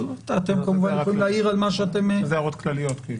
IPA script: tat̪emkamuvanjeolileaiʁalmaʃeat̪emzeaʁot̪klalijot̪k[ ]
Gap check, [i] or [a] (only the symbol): i